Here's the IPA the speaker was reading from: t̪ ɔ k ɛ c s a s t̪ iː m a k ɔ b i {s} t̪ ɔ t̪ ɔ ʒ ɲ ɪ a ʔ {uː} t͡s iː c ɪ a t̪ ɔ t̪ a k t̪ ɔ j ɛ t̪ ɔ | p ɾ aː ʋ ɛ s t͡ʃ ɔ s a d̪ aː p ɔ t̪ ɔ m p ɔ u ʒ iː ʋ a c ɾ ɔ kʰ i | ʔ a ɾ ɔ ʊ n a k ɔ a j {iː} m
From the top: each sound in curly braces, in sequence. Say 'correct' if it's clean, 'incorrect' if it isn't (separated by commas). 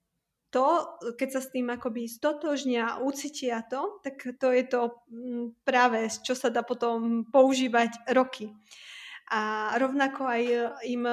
correct, incorrect, incorrect